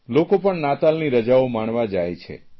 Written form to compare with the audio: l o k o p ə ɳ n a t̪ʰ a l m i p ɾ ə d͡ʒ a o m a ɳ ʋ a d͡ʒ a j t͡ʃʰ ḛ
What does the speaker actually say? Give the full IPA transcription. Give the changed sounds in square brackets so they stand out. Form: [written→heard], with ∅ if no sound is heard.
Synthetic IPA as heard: l o k o p ə ɳ n a [t̪ʰ→t̪] a l [m→n] i [p→∅] ɾ ə d͡ʒ a o m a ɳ ʋ a d͡ʒ a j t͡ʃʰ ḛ